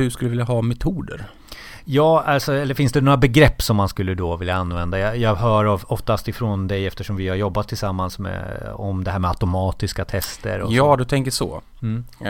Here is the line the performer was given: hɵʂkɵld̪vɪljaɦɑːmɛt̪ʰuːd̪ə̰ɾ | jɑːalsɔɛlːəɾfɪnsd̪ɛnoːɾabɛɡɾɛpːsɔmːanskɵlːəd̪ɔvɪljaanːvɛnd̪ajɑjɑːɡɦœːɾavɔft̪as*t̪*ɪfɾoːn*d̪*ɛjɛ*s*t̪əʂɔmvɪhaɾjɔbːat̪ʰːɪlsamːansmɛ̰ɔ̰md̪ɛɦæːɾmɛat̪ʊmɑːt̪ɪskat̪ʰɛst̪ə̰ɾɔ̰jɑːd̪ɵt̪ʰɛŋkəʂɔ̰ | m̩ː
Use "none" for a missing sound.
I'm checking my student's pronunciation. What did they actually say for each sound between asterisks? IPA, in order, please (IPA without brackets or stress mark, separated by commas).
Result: t̪, d̪, f